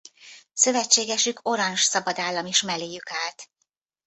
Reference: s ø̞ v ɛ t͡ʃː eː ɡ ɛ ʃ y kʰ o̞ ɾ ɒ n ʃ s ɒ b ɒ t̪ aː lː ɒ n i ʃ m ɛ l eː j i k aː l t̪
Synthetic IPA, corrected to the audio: s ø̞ v ɛ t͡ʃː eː ɡ ɛ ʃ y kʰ o̞ ɾ ɒ n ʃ s ɒ b ɒ d̪ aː lː ɒ m i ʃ m ɛ l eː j y k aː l t̪